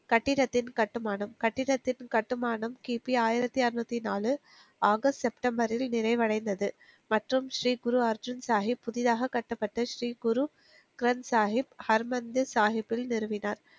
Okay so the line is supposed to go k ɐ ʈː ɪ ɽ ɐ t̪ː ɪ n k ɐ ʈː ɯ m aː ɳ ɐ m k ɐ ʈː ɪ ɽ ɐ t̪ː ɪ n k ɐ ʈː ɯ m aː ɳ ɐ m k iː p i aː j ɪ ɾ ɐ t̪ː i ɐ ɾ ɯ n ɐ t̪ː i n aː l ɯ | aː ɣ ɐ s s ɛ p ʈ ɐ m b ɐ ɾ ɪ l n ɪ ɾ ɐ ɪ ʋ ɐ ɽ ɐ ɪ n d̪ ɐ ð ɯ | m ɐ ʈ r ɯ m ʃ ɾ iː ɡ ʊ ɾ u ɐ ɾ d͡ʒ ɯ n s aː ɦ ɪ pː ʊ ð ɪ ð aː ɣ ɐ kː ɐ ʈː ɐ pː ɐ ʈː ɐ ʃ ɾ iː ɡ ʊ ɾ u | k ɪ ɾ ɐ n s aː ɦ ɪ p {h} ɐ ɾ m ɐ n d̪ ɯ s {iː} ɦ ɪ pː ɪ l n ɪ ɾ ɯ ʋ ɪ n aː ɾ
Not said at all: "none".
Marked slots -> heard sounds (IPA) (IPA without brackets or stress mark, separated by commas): h, aː